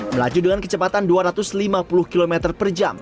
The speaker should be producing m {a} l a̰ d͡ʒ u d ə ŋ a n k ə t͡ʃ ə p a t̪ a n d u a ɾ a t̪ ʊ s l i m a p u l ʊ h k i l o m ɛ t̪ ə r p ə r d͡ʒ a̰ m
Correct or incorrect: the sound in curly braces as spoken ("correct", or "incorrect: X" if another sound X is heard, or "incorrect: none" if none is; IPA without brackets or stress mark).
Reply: incorrect: ə